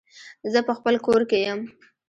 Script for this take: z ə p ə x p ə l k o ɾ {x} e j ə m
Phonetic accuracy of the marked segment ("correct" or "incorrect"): incorrect